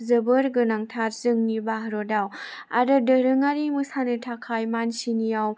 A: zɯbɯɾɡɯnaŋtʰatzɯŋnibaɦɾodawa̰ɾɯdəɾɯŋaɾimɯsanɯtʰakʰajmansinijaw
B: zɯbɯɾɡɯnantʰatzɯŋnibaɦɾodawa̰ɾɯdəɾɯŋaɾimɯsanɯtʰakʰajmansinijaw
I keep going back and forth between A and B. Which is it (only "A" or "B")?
A